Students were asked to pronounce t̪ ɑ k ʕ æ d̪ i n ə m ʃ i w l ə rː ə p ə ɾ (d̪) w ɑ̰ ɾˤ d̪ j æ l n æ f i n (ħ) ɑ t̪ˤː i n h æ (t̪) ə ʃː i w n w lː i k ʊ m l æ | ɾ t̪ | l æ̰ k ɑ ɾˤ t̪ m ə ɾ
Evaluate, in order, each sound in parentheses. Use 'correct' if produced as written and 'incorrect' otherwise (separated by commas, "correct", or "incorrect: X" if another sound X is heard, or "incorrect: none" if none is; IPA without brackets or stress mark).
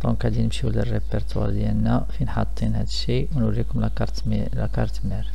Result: incorrect: t̪, correct, incorrect: d̪